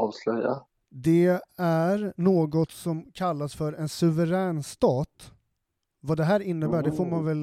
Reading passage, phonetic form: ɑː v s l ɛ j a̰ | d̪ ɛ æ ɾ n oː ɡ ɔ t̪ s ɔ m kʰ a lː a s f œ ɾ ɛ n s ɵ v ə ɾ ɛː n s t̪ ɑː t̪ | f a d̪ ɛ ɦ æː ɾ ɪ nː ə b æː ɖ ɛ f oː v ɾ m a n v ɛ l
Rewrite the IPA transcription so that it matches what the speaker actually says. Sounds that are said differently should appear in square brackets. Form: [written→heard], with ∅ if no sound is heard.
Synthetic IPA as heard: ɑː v s l [ɛ→œ] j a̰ | d̪ ɛ æ ɾ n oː ɡ ɔ t̪ s ɔ m kʰ a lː a s f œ ɾ ɛ n s ɵ v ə ɾ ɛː n s t̪ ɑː t̪ | [f→v] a d̪ ɛ ɦ æː ɾ ɪ nː ə b æː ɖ ɛ f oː [v→∅] ɾ m a n v ɛ l